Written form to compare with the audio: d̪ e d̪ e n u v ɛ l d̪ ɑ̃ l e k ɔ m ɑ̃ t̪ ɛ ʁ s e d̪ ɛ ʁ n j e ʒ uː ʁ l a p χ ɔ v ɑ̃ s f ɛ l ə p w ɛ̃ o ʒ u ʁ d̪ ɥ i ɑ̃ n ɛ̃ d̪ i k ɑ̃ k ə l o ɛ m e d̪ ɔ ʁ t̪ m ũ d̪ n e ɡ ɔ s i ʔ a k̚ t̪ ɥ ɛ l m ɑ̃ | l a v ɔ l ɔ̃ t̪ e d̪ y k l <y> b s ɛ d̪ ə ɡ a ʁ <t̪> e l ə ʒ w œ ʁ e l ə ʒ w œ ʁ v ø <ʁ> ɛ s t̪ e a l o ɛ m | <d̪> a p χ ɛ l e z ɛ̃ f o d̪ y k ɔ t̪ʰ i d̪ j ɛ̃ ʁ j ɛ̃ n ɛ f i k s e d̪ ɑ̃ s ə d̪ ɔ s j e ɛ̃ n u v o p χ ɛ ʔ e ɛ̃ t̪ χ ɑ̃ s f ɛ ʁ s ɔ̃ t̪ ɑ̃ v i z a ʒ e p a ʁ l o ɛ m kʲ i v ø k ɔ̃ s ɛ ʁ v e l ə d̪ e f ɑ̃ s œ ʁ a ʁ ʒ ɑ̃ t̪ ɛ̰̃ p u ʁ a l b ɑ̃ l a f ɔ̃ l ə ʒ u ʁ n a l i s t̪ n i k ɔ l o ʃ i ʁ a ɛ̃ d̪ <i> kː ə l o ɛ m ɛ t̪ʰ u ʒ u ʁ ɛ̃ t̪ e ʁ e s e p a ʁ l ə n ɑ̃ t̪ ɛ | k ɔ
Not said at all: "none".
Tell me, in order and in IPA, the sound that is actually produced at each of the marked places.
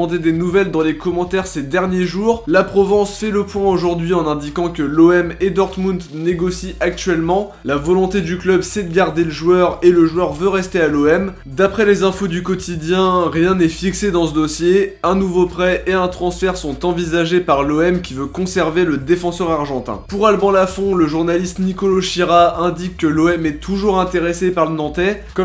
œ, d̪, ʁ, d̪, i

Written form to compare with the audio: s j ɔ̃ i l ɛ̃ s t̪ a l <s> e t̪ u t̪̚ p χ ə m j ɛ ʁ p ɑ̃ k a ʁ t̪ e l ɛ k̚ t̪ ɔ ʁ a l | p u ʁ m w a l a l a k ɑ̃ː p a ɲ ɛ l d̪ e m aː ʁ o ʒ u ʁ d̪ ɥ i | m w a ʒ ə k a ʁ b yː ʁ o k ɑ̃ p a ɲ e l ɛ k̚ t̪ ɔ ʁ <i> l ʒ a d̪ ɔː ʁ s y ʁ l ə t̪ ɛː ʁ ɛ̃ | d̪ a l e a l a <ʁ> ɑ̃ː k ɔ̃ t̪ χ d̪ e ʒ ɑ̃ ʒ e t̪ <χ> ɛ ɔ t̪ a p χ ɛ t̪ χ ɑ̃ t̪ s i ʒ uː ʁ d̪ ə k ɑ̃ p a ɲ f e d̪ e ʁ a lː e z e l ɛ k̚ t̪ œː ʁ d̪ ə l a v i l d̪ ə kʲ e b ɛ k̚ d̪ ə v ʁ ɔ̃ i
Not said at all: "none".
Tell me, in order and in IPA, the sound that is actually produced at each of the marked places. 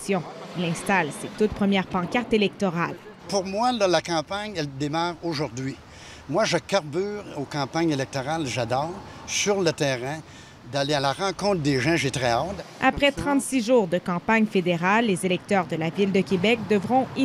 s, a, ʁ, ʁ

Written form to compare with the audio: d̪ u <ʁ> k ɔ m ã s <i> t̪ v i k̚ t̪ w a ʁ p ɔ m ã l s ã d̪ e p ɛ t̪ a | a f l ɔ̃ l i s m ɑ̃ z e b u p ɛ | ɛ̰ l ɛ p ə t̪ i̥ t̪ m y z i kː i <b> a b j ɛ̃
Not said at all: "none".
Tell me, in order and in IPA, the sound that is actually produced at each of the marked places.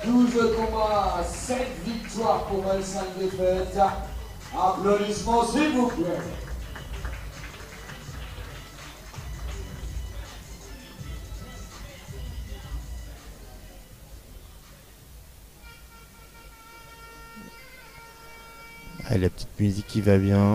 z, ɛ, v

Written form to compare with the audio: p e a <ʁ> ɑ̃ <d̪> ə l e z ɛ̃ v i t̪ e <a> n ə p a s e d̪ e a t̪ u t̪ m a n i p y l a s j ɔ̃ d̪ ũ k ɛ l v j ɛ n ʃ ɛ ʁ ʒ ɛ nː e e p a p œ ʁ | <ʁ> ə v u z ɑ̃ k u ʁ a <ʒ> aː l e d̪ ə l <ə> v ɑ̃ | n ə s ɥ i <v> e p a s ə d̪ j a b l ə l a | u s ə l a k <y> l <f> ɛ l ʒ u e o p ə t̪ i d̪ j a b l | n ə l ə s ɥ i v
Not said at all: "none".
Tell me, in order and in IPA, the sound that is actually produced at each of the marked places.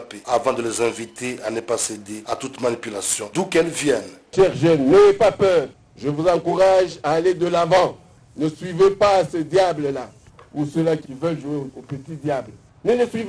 v, d̪, a, ʒ, ʒ, a, v, i, v

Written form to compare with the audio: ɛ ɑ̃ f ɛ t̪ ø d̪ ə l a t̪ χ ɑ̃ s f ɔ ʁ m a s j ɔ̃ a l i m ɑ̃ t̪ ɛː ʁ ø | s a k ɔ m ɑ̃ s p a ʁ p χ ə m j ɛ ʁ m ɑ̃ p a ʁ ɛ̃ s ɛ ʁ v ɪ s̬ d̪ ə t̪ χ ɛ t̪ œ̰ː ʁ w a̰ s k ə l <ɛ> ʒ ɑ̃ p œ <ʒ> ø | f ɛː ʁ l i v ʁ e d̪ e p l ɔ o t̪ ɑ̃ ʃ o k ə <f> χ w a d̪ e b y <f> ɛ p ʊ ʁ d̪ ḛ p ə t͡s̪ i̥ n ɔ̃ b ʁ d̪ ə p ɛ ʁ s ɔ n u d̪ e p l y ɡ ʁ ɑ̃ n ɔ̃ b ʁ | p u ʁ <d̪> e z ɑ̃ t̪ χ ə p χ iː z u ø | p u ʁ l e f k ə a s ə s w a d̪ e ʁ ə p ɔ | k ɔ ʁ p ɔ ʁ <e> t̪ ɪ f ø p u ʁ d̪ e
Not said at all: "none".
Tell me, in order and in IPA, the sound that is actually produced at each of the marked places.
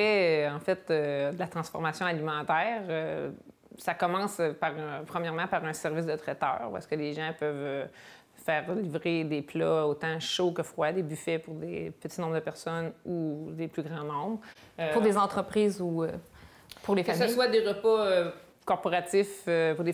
e, v, f, f, d̪, a

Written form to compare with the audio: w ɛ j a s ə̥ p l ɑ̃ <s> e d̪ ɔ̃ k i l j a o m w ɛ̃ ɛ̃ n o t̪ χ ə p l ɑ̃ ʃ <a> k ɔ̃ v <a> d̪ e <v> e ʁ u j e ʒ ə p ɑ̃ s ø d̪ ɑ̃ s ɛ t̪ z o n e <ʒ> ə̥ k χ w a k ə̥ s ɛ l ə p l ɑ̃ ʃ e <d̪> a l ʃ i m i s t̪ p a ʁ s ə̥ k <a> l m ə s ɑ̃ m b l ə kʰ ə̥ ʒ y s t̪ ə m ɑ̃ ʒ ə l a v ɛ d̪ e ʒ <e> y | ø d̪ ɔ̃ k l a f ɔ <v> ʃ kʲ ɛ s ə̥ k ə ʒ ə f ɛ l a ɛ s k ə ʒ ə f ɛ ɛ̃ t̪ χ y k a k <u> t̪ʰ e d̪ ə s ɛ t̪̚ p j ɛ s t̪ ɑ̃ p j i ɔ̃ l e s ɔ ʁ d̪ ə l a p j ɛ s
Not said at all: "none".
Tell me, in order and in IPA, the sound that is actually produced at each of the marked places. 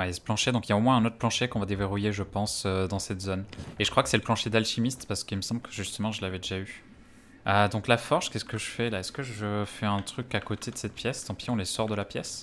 ʃ, e, a, v, ʒ, d̪, i, a, ʁ, o

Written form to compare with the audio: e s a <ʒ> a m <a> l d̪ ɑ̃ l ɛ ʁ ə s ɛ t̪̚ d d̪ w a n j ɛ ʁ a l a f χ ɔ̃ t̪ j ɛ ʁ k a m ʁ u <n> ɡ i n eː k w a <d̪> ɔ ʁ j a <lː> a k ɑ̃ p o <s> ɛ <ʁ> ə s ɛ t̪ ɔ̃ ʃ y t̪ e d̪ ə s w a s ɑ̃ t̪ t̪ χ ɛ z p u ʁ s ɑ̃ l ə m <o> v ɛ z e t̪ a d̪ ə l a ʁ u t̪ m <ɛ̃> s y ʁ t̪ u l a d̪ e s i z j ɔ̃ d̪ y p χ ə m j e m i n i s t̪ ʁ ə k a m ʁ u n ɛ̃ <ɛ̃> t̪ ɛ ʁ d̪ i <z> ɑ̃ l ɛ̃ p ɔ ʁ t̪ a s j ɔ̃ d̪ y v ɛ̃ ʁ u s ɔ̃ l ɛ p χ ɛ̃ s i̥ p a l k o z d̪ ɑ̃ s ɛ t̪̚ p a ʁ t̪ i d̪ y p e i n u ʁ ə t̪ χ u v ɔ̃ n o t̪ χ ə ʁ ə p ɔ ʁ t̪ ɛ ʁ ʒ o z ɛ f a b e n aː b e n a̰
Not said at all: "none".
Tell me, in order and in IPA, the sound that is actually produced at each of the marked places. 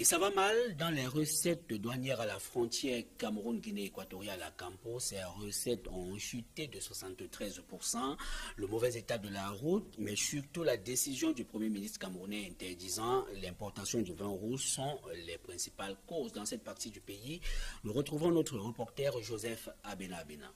v, a, n, t̪, l, s, ʁ, o, ɛ, ɛ̃, z

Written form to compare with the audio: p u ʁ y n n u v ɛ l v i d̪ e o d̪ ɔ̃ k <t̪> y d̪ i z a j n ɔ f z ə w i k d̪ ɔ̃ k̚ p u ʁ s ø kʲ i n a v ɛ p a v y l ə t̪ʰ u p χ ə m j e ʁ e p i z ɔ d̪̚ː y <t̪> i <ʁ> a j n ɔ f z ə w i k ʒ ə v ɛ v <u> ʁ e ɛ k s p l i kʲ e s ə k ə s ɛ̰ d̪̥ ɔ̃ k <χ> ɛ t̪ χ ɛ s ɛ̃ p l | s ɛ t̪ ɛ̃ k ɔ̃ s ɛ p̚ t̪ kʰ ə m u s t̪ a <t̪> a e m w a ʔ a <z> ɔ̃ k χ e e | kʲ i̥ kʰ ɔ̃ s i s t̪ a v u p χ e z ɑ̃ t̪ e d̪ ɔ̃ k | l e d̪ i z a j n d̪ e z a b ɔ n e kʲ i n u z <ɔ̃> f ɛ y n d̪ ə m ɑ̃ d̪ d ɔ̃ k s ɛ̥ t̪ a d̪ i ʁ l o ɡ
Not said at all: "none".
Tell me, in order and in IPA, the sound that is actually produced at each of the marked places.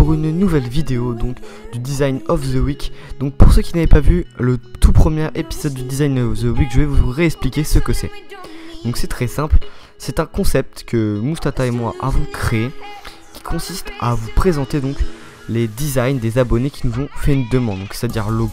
d̪, d̪, z, u, s, t̪, v, ɔ̃

